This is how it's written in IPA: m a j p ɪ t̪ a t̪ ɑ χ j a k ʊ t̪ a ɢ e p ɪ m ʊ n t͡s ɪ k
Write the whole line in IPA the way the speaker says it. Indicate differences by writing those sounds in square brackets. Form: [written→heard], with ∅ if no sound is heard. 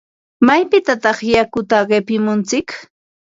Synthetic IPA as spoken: m a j p ɪ t̪ a t̪ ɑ χ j a k ʊ t̪ a ɢ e p ɪ m ʊ n t͡s ɪ k